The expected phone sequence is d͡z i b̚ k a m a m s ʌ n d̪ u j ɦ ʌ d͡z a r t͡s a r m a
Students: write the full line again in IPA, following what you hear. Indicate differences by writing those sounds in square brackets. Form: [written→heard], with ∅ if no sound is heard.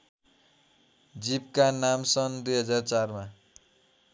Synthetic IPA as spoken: d͡z i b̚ k a [m→n] a m s ʌ n d̪ u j ɦ ʌ d͡z a r t͡s a r m a